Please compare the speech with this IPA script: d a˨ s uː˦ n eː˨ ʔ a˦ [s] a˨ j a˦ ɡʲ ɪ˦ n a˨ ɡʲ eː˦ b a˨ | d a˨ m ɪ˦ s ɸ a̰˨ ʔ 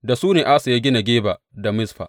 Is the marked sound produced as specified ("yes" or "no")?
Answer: yes